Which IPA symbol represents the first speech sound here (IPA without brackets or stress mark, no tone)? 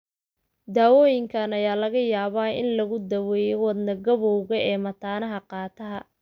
d̪